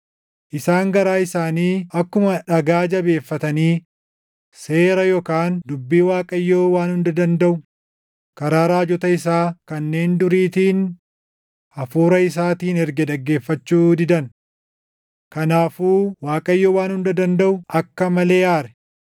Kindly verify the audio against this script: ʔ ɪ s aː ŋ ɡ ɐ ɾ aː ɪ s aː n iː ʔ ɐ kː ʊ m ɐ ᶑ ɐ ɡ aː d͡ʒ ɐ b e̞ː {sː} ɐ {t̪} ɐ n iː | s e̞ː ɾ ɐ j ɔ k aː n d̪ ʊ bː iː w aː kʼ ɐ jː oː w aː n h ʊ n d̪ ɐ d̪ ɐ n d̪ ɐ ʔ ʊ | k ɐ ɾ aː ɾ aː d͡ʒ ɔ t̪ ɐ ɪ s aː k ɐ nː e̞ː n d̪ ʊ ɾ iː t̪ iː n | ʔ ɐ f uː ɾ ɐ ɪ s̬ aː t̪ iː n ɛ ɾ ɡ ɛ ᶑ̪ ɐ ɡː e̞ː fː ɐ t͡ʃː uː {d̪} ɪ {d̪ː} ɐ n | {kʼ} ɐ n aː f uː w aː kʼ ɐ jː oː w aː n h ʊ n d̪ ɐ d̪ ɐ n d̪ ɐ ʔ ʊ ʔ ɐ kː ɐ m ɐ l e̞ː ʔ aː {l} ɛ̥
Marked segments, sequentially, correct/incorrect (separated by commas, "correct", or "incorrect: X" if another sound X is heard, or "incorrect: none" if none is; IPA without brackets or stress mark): incorrect: fː, correct, correct, incorrect: d̪, incorrect: k, incorrect: ɾ